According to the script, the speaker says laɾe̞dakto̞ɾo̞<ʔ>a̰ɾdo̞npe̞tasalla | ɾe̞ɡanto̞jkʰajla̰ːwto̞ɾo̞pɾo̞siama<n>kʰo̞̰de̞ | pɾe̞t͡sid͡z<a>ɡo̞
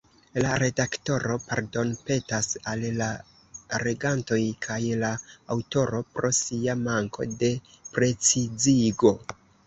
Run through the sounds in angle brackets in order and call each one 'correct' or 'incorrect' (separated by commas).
incorrect, incorrect, incorrect